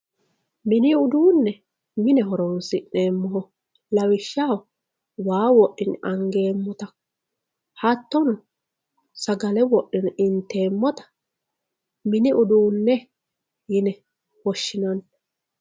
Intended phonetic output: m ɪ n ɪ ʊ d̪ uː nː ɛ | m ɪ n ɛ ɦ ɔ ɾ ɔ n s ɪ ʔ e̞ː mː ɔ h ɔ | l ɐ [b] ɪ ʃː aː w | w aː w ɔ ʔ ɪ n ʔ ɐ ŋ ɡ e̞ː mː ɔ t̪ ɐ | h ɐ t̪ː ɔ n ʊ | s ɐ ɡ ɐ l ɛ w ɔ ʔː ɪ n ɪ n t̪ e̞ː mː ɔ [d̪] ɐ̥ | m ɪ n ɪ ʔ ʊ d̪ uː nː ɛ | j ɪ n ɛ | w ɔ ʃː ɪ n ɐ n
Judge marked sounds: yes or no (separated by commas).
no, no